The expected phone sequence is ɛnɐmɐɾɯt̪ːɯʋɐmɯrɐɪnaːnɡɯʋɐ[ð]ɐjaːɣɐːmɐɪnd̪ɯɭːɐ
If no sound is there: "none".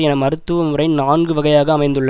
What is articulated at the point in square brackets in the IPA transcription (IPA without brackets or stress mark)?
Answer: ɣ